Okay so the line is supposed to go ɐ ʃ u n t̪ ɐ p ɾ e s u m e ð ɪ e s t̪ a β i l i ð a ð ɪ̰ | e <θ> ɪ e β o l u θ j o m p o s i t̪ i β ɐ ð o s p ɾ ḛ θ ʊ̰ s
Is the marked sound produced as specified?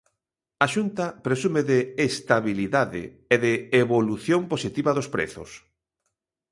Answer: no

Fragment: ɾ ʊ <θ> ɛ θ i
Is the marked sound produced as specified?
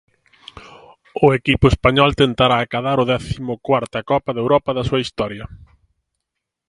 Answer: no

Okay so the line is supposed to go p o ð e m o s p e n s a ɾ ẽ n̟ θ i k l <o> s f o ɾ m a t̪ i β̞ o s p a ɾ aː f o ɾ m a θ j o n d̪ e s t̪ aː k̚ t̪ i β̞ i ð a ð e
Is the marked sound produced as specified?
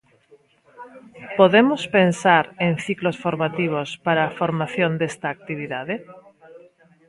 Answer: yes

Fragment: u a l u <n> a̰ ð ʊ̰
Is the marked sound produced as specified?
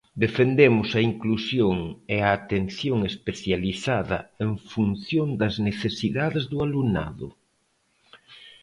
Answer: yes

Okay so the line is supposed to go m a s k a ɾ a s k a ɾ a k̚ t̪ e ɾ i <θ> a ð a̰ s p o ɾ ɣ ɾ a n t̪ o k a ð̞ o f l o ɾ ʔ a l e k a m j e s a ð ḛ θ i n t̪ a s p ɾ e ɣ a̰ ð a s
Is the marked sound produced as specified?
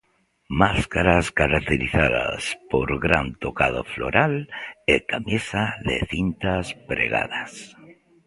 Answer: yes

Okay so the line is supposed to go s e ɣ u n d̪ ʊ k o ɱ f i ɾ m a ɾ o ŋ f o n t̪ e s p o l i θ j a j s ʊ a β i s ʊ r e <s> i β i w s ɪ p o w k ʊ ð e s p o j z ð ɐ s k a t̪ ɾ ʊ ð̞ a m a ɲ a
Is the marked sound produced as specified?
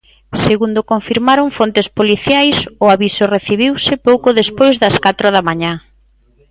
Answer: no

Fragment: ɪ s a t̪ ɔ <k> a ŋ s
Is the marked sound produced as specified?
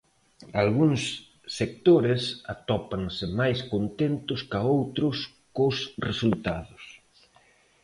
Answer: no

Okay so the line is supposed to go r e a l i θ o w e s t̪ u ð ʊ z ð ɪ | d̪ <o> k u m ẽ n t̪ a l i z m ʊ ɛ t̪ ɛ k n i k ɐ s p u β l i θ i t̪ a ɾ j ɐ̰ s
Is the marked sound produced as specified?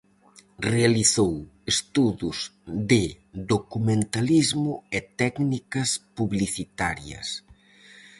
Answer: yes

